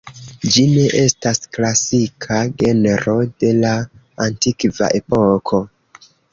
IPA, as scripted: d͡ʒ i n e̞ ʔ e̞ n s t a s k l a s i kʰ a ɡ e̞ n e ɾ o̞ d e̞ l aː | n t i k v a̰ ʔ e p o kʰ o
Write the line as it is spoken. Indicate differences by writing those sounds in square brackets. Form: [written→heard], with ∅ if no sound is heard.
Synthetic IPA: d͡ʒ i n e̞ ʔ e̞ [n→∅] s t a s k l a s i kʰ a ɡ e̞ n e ɾ o̞ d e̞ l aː | n t i k v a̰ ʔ e p o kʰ o